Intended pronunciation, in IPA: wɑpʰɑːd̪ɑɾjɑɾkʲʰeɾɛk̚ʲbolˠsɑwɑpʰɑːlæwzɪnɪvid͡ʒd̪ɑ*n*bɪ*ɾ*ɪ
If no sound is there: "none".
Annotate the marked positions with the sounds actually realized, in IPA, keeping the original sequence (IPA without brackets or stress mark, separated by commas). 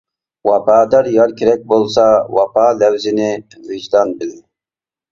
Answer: n, l